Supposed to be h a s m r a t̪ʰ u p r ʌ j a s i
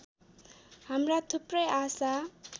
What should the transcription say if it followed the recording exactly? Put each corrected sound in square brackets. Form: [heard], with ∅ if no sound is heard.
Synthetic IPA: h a [∅] m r a t̪ʰ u p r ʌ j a s [a]

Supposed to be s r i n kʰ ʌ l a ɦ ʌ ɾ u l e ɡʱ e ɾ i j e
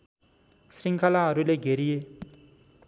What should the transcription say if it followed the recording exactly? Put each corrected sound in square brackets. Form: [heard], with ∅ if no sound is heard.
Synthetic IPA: s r i [ŋ] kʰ [a] l a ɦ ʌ ɾ u l e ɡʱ e ɾ i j e

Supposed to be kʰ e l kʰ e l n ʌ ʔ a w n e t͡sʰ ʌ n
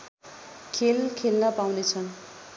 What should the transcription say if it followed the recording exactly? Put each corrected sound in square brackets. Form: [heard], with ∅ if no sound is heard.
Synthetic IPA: kʰ e l kʰ e l n ʌ [p] a w n e t͡sʰ ʌ n

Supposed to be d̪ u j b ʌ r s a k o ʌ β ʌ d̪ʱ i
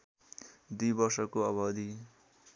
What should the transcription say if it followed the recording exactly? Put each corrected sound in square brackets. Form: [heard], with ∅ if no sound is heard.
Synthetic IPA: d̪ u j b ʌ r s [ʌ] k o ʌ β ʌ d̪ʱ i

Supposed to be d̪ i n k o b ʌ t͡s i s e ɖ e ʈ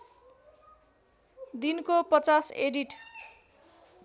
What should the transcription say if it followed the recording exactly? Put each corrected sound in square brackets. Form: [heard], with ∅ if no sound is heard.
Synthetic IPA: d̪ i n k o [p] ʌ t͡s [a] s e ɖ [i] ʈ

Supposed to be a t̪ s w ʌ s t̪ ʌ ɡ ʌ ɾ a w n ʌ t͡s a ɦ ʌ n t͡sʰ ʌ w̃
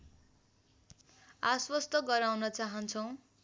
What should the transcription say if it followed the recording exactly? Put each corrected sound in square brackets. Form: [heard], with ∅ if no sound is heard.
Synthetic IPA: a [∅] s w ʌ s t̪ ʌ ɡ ʌ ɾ a w n ʌ t͡s a ɦ ʌ n t͡sʰ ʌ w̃

